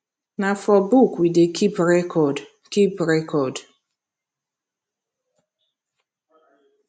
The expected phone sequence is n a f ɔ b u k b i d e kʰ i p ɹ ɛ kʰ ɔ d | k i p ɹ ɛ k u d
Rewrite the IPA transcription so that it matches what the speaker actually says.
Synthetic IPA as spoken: n a f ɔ b u k w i d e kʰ i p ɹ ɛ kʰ ɔ d | k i p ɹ ɛ k ɔ d